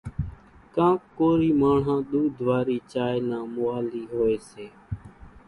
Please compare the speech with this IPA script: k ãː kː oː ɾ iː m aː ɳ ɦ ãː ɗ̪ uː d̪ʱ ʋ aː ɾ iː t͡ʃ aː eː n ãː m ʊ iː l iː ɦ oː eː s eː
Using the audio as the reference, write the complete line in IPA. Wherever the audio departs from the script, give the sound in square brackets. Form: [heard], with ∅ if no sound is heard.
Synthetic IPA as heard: k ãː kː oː ɾ iː m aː ɳ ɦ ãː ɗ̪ uː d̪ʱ ʋ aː ɾ iː t͡ʃ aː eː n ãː m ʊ [aː] l iː ɦ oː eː s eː